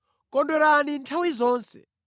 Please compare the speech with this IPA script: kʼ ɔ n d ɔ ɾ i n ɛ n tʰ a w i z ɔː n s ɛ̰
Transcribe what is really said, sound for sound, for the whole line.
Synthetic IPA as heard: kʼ ɔ n d ɔ ɾ a n i n tʰ a w i z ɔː n s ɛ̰